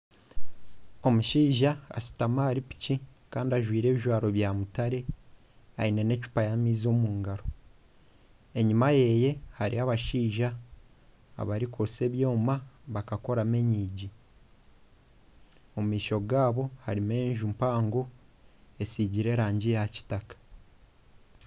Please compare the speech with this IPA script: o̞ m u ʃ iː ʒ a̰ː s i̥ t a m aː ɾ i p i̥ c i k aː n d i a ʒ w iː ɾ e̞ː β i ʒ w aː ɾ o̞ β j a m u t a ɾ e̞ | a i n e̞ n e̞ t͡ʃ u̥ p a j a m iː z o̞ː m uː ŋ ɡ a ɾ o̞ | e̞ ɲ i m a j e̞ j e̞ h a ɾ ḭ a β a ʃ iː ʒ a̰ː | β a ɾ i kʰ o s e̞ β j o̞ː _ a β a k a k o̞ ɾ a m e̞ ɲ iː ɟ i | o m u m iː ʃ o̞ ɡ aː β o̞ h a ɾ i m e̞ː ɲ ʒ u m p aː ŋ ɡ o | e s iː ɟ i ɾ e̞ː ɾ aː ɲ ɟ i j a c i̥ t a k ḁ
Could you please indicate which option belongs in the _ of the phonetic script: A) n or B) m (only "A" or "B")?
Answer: B